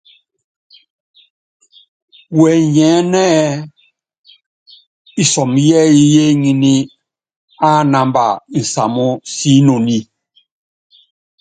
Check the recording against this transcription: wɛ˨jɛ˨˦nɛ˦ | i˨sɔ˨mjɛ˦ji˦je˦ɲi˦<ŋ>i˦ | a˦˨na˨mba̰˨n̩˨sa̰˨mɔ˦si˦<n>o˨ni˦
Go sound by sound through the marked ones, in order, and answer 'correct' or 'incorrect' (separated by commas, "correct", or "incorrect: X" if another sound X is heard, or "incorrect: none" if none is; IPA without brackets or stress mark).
incorrect: n, correct